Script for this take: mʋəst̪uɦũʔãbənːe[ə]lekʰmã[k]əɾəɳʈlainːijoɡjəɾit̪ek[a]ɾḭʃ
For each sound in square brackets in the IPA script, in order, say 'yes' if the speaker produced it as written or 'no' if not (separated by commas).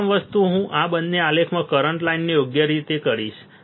no, yes, no